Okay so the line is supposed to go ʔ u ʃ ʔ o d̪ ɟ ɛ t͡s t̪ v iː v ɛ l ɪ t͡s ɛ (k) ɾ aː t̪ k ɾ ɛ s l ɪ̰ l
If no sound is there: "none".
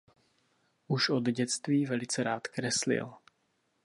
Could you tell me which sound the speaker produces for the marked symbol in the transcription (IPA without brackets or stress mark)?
none